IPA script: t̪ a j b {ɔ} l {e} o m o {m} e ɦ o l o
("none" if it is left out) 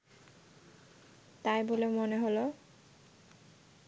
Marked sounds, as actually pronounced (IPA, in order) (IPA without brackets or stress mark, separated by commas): o, e, n